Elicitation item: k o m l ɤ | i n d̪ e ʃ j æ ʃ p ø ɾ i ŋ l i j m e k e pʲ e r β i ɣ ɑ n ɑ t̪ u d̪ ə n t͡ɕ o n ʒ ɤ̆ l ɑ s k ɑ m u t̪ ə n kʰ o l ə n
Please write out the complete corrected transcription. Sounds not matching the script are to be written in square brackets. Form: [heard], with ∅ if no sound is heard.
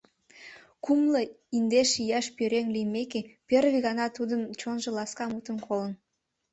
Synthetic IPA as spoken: k [u] m l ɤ | i n d̪ e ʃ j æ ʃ p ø ɾ [e] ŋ l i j m e k e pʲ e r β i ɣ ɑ n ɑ t̪ u d̪ ə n t͡ɕ o n ʒ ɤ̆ l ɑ s k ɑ m u t̪ ə n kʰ o l ə n